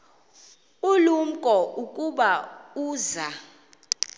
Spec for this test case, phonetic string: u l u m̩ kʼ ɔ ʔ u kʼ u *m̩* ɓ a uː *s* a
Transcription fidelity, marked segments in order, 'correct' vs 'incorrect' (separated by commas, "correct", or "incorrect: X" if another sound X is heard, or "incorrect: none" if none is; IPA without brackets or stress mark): incorrect: none, incorrect: z